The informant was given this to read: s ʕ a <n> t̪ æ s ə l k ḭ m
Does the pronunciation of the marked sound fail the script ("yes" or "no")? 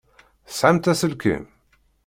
yes